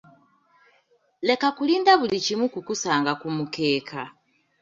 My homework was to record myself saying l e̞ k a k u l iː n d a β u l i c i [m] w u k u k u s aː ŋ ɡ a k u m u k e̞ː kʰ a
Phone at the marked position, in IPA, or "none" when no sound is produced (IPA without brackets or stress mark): m